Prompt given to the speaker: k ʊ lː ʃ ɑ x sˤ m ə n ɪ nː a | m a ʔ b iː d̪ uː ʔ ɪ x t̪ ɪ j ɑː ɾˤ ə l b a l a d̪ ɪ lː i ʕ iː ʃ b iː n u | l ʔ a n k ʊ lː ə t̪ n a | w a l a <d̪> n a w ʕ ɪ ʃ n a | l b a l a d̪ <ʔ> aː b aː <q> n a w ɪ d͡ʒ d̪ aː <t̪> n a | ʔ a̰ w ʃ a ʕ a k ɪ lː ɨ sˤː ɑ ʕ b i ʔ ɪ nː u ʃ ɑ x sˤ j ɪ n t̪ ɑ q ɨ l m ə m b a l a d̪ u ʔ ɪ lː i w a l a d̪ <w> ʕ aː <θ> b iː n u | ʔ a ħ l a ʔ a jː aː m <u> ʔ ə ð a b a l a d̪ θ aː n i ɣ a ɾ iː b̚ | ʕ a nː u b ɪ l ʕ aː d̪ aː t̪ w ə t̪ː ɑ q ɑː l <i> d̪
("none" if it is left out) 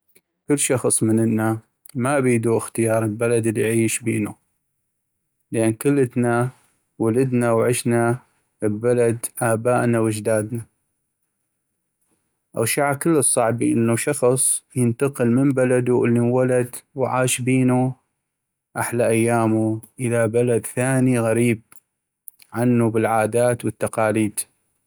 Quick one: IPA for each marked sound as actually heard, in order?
d̪, ʔ, ʔ, d̪, w, ʃ, u, iː

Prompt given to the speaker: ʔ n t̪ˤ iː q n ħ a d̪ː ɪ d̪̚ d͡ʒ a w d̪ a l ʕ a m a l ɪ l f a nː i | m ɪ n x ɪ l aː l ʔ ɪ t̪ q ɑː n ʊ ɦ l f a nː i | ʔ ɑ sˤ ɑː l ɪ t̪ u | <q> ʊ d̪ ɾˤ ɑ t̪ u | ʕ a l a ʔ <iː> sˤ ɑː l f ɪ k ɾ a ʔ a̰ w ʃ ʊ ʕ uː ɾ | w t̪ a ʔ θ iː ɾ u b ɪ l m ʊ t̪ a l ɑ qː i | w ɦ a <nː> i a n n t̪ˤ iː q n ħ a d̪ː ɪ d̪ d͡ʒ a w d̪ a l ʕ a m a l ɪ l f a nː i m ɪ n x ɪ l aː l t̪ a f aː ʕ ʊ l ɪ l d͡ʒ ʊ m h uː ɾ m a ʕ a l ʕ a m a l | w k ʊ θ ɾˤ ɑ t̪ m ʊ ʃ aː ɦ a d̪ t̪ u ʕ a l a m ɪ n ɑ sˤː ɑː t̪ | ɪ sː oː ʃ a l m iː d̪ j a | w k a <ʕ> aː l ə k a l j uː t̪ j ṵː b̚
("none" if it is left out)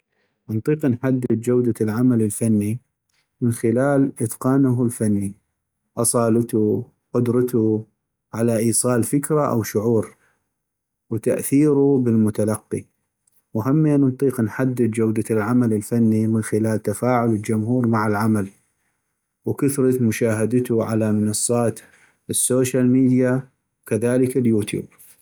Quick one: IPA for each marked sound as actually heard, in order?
q, iː, mː, ð

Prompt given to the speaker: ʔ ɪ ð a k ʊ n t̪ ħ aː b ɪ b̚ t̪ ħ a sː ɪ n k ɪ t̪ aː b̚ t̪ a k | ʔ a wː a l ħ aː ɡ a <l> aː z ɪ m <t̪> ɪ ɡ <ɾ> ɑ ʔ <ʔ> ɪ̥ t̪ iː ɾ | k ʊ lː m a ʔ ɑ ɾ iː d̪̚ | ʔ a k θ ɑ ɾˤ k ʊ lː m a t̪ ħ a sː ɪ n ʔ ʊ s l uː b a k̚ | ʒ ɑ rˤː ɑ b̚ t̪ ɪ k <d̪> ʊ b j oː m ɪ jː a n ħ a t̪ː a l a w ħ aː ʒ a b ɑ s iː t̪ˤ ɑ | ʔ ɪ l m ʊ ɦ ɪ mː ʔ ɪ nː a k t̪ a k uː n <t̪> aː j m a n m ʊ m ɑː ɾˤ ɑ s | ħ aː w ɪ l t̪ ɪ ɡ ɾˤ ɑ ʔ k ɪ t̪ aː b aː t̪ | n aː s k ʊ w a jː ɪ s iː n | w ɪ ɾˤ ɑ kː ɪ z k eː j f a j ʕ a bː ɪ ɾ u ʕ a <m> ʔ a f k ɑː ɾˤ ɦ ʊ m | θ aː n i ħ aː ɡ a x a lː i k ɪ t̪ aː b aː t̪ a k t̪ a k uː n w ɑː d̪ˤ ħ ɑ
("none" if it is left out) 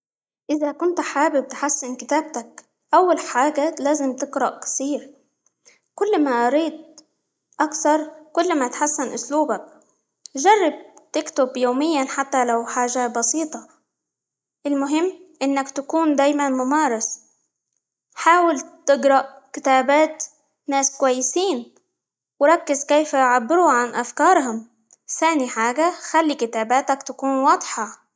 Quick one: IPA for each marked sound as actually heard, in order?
l, t̪, ɾ, k, t̪, d̪, n

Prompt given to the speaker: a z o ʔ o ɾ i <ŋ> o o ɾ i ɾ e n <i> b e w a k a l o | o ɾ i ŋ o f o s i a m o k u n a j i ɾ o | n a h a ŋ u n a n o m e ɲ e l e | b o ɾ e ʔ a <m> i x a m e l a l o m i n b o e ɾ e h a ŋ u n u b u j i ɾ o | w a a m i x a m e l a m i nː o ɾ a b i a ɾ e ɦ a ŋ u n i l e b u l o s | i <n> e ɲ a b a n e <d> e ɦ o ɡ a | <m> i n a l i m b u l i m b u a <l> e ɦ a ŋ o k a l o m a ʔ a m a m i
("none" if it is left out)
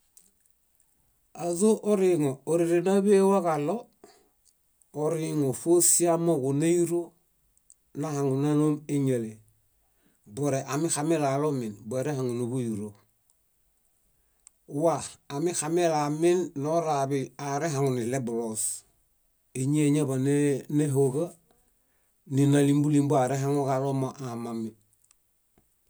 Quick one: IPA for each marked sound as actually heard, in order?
ŋ, a, m, ɲ, n, n, ɾ

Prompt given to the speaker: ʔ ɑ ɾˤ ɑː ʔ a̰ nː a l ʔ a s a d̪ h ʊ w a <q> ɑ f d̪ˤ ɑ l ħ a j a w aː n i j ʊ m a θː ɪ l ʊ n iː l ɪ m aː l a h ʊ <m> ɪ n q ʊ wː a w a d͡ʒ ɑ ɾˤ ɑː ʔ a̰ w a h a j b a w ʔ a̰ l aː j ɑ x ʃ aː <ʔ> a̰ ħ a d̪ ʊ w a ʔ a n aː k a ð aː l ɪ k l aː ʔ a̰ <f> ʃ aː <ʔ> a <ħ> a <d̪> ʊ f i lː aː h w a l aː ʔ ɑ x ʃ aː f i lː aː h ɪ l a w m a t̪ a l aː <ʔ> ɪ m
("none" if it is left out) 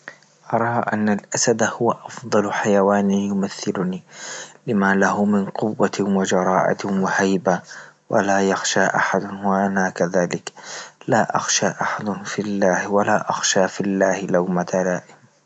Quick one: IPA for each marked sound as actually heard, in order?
ʔ, m, ʔ, x, ʔ, ħ, d̪, ʔ

